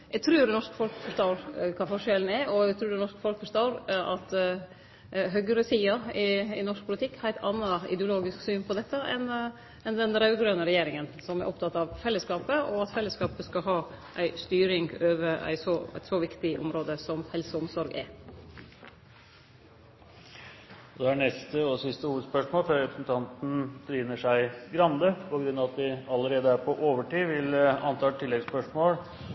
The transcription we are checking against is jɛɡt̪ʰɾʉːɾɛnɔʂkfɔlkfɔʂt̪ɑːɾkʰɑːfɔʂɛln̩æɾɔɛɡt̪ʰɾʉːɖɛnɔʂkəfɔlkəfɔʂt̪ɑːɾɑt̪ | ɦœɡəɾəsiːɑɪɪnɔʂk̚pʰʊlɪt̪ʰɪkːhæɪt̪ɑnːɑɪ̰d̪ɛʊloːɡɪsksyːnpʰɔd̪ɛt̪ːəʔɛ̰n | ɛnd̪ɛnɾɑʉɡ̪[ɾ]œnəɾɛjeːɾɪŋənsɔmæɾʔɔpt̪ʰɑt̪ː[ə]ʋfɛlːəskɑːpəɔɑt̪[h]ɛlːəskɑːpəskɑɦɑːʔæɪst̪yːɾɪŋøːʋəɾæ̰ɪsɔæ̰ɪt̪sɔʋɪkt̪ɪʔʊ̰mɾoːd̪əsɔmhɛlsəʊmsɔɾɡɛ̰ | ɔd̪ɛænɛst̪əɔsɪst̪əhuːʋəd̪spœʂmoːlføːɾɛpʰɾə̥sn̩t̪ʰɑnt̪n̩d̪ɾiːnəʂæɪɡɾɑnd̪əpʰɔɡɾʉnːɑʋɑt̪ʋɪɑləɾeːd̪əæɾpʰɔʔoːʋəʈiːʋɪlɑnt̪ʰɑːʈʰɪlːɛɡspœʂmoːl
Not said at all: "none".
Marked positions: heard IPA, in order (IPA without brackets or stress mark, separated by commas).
ɾ, ɑ, f